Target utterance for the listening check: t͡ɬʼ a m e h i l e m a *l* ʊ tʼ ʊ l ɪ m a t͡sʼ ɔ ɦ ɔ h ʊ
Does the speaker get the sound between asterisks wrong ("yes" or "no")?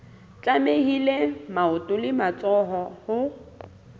yes